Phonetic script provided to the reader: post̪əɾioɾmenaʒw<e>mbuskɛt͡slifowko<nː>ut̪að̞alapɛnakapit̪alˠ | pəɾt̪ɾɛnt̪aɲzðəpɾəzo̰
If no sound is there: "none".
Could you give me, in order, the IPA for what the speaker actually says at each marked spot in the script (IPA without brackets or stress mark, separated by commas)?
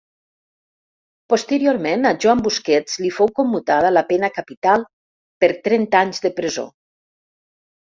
a, mː